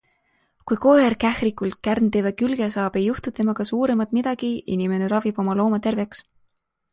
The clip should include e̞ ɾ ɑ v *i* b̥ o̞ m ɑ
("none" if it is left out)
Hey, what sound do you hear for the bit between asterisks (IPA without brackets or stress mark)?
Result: i